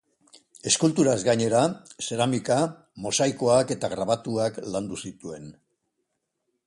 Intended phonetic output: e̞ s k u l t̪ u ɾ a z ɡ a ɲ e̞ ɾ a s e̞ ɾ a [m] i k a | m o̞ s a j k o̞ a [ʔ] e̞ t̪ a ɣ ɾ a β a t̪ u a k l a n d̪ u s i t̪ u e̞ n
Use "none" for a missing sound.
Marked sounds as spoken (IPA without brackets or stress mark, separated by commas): m, k